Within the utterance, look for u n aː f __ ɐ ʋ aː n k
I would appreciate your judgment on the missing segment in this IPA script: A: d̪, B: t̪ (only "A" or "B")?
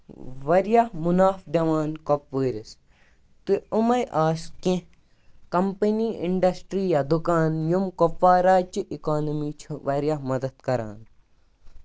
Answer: A